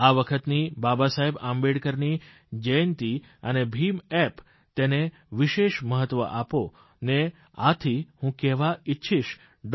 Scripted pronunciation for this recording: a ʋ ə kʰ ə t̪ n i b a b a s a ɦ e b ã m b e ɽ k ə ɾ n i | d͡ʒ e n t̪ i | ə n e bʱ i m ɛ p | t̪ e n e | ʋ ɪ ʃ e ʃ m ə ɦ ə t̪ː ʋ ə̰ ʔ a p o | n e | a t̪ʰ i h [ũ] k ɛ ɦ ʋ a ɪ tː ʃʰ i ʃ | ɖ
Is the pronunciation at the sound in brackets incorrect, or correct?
correct